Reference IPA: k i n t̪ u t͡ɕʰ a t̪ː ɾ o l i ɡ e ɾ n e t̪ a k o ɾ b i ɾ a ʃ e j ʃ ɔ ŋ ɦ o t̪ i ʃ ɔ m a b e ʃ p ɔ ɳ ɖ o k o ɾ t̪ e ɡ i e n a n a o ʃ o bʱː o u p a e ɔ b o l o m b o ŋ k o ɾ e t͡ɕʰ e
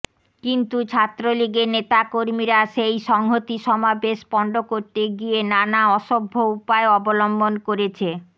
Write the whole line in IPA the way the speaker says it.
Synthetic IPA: k i n t̪ u t͡ɕʰ a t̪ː ɾ o l i ɡ e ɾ n e t̪ a k o ɾ m i ɾ a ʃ e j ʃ ɔ ŋ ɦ o t̪ i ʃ ɔ m a b e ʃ p ɔ ɳ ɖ o k o ɾ t̪ e ɡ i e n a n a ɔ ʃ o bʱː o u p a e ɔ b o l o m b o n k o ɾ e t͡ɕʰ e